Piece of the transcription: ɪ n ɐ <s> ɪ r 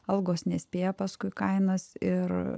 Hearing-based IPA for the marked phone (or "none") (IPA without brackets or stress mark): s